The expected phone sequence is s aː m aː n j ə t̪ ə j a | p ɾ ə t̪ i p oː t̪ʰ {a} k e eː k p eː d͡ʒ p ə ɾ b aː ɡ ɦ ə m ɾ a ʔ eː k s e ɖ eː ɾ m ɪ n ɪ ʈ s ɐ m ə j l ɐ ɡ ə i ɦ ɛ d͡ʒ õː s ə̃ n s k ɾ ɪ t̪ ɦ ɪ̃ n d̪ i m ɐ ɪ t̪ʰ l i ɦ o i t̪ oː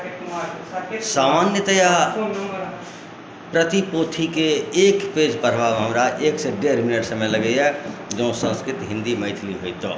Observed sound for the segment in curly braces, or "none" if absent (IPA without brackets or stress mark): i